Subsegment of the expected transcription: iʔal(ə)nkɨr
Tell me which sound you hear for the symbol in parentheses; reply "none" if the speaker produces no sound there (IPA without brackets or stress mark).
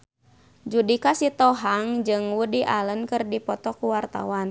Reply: ə